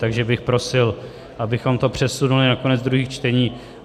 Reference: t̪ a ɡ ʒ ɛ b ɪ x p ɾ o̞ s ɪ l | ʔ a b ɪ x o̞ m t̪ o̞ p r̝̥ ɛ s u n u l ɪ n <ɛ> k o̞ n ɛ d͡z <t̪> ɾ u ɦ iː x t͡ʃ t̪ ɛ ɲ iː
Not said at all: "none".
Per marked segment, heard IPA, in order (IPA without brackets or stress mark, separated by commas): a, d̪